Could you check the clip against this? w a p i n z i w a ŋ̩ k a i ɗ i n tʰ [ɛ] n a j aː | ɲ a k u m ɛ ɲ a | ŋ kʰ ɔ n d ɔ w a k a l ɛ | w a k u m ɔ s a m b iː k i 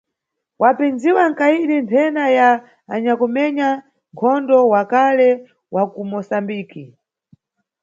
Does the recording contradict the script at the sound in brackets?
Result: no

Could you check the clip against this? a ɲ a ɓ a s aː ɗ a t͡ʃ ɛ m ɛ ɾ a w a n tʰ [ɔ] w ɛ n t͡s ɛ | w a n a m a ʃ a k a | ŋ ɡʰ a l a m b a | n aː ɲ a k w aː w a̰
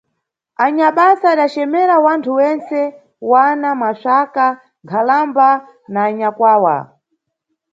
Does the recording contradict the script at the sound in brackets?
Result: yes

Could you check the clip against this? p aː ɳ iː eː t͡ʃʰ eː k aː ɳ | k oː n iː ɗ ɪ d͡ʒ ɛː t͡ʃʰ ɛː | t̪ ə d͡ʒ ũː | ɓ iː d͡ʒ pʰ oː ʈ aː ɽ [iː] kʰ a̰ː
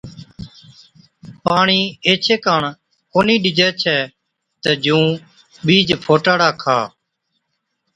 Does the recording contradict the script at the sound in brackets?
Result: yes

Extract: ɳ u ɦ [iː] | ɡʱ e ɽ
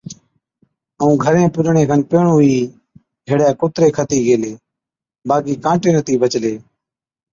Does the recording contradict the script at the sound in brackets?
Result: no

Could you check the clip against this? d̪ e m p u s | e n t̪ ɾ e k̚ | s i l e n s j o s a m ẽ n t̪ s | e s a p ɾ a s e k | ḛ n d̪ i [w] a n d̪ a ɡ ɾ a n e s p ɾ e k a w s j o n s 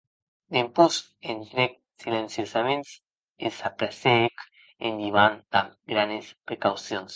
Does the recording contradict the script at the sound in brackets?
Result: yes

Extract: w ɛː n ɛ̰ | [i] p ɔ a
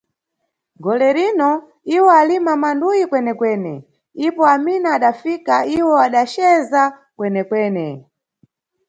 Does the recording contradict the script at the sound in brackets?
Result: no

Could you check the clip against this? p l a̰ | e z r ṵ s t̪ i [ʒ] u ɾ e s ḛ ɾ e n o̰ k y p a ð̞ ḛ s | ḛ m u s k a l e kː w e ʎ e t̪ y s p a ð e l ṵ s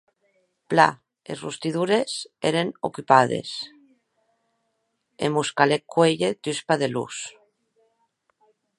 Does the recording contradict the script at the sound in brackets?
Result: yes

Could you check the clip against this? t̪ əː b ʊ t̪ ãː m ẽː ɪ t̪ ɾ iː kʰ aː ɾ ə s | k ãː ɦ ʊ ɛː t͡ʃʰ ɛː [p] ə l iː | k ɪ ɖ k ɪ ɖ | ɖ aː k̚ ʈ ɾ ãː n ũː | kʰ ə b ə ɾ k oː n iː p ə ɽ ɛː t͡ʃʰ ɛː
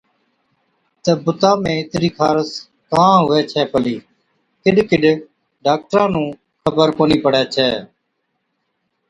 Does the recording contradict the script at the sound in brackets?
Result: no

